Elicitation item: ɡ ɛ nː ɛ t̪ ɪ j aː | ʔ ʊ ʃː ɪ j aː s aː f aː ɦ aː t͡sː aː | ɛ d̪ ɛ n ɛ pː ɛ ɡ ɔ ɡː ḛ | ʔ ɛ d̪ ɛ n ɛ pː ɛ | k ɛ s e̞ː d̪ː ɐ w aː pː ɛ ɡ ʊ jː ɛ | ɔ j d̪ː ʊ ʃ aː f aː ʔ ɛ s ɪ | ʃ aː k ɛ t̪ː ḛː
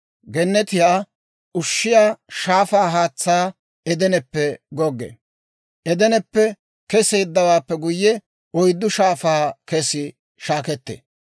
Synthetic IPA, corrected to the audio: ɡ ɛ nː ɛ t̪ ɪ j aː | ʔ ʊ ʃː ɪ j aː ʃ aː f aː ɦ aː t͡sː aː | ɛ d̪ ɛ n ɛ pː ɛ ɡ ɔ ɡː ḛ | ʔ ɛ d̪ ɛ n ɛ pː ɛ | k ɛ s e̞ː d̪ː ɐ w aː pː ɛ ɡ ʊ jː ɛ | ɔ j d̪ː ʊ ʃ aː f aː k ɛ s ɪ | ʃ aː k ɛ t̪ː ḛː